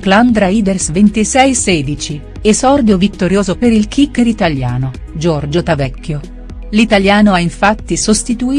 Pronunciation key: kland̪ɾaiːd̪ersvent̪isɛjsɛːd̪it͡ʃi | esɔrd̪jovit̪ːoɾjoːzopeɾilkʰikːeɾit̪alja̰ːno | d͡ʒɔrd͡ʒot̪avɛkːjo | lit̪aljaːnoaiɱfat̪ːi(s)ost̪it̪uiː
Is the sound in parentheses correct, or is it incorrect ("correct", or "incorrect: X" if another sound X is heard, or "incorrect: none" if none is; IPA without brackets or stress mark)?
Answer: correct